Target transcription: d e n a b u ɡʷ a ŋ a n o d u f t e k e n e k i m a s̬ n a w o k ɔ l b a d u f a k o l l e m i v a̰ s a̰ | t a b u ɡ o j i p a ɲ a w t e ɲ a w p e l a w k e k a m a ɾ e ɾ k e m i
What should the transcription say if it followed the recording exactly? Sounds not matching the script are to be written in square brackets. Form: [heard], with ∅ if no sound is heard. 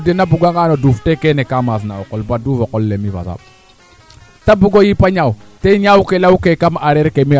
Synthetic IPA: d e n a b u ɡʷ a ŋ a n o d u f t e k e n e k [a] m a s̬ n a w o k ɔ l b a d u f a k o l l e m i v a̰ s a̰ | t a b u ɡ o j i p a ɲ a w t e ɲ a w [k] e l a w k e k a m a ɾ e ɾ k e m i